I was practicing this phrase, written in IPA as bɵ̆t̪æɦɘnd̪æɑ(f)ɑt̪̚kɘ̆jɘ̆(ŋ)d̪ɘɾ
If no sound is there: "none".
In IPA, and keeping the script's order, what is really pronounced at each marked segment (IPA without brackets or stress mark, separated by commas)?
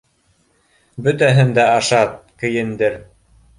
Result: ʃ, n